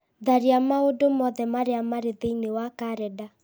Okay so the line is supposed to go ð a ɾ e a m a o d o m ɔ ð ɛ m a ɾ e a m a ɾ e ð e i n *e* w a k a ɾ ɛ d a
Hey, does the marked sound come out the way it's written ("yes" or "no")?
yes